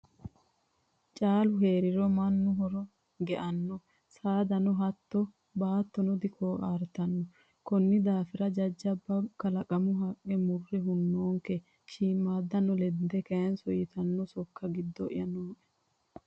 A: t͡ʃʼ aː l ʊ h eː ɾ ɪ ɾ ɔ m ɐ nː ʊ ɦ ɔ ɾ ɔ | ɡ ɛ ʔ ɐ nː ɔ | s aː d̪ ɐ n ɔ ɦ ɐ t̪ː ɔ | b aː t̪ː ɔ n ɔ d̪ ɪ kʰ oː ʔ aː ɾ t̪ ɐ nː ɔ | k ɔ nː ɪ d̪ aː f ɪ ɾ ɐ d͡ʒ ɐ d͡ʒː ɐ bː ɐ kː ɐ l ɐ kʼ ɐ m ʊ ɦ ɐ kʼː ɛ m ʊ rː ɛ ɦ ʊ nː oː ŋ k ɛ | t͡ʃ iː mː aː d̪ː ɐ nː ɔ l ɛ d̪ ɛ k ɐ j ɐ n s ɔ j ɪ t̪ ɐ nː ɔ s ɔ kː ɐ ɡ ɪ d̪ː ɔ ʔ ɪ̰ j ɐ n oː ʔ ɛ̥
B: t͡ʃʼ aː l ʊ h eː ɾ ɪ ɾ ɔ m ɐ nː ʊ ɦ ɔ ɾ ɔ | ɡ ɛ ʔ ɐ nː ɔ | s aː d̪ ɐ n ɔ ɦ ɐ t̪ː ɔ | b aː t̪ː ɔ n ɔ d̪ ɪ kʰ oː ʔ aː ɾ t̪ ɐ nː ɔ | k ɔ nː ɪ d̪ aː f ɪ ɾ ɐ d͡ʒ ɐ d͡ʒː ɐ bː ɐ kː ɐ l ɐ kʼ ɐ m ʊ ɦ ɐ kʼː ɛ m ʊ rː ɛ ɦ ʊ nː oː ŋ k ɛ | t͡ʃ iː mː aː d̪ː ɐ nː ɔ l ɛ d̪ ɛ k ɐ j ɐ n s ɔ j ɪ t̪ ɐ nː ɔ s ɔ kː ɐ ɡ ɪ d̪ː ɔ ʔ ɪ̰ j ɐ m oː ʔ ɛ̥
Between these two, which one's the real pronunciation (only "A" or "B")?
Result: A